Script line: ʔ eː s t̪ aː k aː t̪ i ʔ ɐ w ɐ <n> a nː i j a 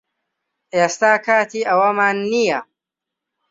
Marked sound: incorrect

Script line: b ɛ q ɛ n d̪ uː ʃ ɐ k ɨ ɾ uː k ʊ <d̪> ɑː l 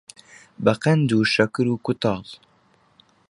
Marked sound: incorrect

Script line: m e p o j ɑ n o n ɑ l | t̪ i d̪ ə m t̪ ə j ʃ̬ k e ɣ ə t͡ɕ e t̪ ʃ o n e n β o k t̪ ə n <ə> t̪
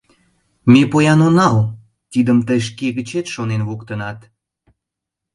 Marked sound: incorrect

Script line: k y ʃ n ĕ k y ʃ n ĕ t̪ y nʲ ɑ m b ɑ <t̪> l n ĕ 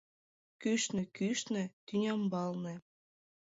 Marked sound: incorrect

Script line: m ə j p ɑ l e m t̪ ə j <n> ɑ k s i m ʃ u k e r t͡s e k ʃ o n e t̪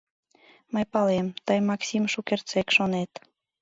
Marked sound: incorrect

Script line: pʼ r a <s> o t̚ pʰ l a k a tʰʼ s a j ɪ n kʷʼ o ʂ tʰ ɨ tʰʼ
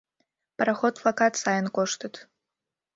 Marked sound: incorrect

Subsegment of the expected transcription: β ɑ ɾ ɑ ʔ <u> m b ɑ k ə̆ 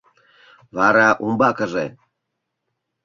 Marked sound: correct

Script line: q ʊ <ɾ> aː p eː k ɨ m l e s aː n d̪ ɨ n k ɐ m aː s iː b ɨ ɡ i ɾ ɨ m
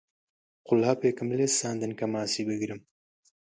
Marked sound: incorrect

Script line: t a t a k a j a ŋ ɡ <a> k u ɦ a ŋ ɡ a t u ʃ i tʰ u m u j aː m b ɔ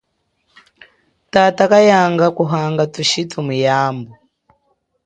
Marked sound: correct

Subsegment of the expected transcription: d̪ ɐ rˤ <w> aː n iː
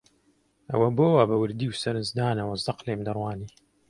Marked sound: correct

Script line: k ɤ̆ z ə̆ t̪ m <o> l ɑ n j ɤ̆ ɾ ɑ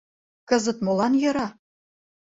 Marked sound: correct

